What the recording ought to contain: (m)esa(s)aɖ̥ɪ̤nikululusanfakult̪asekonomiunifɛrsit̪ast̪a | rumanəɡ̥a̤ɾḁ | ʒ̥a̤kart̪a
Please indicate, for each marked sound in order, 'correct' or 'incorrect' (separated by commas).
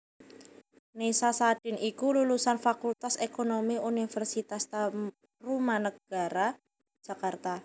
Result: incorrect, correct